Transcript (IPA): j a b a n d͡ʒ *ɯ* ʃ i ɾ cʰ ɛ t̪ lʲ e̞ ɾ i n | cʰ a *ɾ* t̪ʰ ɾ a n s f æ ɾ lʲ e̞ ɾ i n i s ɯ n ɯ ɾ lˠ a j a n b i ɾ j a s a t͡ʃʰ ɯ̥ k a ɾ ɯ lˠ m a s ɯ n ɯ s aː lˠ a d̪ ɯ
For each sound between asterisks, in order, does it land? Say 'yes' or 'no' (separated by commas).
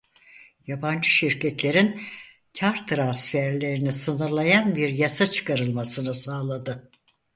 yes, yes